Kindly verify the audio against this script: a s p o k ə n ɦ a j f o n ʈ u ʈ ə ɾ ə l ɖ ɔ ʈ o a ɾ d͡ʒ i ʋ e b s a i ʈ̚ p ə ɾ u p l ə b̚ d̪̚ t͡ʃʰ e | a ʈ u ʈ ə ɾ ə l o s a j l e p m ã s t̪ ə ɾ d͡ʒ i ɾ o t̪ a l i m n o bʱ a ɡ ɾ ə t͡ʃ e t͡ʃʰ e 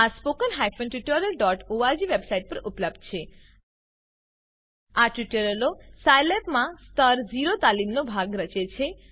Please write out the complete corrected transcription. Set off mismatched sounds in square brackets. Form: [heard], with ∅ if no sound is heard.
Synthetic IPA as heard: a s p o k ə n ɦ a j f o n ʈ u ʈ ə ɾ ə l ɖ ɔ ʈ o a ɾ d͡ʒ i ʋ e b s a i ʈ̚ p ə ɾ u p l ə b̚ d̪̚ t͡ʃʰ e | a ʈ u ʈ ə ɾ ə l o s a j l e p m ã s t̪ ə ɾ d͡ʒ i ɾ o t̪ a l i m n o bʱ a ɡ ɾ ə t͡ʃ e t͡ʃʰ e